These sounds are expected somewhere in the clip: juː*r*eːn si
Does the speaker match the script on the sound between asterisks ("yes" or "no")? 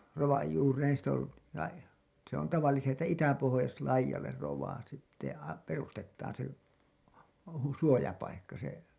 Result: yes